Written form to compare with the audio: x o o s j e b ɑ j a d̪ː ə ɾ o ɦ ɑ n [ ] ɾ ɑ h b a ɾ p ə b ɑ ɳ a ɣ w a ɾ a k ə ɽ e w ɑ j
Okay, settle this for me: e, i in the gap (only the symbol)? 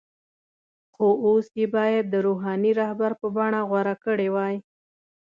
i